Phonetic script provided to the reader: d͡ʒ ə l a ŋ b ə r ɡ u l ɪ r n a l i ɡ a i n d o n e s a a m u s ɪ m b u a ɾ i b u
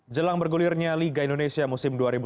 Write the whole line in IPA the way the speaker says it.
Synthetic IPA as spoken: d͡ʒ ə l a ŋ b ə r ɡ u l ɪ r ɲ a l i ɡ a i n d o n e s i a m u s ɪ m d u a ɾ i b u